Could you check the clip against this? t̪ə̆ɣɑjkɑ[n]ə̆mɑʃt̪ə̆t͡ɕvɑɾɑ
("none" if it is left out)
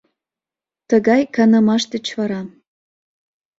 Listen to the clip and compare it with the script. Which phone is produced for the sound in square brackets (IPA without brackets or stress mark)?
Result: n